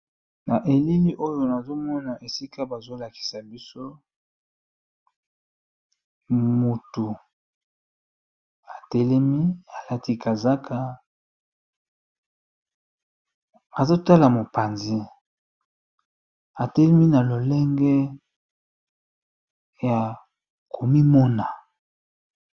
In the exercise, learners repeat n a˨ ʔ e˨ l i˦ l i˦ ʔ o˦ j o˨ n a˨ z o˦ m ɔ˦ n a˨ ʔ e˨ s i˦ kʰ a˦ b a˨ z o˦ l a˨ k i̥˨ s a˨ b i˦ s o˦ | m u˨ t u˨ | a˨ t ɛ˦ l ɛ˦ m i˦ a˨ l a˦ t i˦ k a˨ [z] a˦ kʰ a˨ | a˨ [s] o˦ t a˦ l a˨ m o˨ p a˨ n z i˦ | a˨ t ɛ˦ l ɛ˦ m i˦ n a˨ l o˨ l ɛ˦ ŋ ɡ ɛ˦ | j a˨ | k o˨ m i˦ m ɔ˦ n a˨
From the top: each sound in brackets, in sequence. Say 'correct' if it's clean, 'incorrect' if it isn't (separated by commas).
correct, incorrect